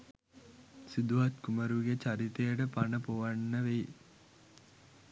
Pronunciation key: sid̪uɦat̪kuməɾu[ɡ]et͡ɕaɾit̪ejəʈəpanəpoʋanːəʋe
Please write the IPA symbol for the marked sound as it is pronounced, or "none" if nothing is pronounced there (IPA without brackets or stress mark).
ɡ